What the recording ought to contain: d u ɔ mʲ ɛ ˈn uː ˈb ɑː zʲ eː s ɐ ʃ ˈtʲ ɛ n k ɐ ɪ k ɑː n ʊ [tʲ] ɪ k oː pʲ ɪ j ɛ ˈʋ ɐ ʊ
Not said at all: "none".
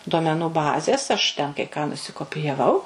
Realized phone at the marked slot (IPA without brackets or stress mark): sʲ